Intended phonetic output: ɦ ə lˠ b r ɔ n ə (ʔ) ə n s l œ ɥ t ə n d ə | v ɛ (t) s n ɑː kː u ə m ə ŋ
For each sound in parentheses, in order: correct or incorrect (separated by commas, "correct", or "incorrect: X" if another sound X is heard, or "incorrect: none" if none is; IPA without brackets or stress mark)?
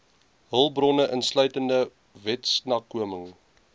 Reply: correct, correct